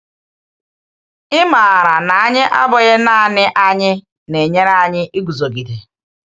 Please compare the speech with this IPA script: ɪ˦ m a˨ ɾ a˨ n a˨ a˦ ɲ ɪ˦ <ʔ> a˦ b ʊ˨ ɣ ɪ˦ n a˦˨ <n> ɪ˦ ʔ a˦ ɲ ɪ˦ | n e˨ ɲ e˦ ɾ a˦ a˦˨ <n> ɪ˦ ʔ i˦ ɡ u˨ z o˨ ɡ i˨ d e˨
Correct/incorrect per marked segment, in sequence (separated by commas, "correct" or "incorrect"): correct, correct, incorrect